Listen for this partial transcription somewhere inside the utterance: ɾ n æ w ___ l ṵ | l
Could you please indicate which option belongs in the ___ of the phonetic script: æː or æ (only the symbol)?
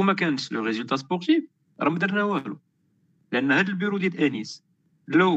æ